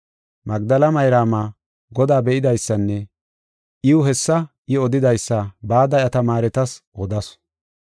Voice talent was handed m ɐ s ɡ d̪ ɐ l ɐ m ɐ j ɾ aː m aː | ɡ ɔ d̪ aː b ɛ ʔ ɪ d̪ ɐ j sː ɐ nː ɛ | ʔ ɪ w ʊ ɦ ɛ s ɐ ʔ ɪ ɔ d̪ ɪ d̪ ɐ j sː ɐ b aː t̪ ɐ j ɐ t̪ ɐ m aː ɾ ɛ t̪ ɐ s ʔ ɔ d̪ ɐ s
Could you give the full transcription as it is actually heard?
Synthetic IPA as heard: m ɐ ɡ d̪ ɐ l ɐ m ɐ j ɾ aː m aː | ɡ ɔ d̪ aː b ɛ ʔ ɪ d̪ ɐ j sː ɐ nː ɛ | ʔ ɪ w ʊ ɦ ɛ sː ɐ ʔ ɪ ɔ d̪ ɪ d̪ ɐ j sː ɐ b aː d̪ ɐ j ɐ t̪ ɐ m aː ɾ ɛ t̪ ɐ s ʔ ɔ d̪ ɐ s